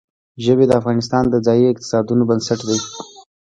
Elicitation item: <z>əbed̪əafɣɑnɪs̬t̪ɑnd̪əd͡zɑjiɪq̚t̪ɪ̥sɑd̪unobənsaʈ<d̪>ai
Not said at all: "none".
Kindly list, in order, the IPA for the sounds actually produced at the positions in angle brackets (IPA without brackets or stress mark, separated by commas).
ʒ, d̪